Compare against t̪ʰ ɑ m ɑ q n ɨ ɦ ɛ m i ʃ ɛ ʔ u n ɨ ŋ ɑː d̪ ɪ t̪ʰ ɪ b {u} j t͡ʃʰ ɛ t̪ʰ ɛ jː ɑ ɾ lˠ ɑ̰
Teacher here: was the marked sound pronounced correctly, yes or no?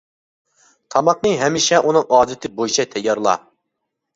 no